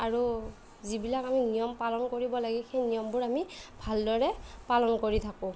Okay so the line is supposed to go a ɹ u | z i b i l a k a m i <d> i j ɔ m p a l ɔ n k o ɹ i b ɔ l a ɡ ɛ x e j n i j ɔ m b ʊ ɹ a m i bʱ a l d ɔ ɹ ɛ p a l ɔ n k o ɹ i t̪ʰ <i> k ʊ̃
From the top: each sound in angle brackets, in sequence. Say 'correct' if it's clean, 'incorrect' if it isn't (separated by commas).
incorrect, incorrect